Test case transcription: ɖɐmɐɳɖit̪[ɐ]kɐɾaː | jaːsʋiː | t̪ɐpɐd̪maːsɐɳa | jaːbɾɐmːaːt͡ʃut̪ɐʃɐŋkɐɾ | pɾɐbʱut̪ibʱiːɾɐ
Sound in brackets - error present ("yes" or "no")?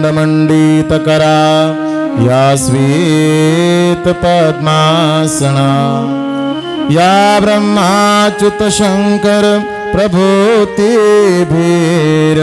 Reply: no